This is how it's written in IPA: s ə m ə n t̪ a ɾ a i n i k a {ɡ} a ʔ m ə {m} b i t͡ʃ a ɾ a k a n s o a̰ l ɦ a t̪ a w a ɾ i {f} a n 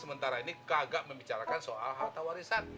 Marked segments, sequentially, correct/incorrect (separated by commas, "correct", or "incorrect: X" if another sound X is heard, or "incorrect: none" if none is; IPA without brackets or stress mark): correct, correct, incorrect: s